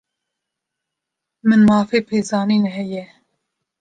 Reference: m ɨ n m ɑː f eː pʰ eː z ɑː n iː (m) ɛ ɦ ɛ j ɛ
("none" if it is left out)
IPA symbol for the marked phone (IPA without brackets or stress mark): n